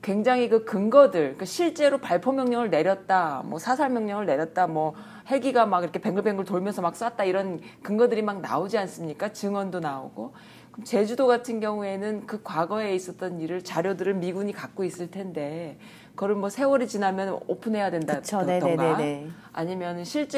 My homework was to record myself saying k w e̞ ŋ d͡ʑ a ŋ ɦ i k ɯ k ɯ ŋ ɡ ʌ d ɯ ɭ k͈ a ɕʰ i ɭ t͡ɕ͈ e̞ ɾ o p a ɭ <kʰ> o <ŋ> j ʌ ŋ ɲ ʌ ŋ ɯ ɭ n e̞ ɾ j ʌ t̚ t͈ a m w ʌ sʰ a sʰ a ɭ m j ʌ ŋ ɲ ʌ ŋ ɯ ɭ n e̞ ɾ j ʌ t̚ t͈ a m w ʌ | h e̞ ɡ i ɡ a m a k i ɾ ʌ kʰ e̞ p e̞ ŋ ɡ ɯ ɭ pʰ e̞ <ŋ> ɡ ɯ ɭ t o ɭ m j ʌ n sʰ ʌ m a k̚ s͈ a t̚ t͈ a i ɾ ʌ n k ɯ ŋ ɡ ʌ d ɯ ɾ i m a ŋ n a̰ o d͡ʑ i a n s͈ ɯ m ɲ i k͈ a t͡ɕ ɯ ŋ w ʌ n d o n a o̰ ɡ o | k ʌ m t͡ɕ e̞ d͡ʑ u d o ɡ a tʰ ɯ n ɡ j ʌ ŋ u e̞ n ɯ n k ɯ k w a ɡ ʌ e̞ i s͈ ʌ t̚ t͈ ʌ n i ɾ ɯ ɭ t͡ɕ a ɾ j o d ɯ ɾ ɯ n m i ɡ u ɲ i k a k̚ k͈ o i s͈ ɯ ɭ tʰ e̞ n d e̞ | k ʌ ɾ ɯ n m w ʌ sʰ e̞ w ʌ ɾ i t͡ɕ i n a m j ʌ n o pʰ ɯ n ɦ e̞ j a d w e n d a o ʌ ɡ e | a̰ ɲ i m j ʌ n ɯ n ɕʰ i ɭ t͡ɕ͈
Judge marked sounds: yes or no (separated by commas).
no, no, yes